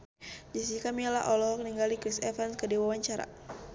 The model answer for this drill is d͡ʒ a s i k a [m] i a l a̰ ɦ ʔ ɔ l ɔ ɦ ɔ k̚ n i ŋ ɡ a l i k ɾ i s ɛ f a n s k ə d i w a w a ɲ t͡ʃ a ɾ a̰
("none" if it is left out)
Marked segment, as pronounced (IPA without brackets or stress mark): m